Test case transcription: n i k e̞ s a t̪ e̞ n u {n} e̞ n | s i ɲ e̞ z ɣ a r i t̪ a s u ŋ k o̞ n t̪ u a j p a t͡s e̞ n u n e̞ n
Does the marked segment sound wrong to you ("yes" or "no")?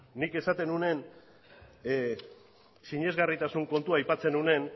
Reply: no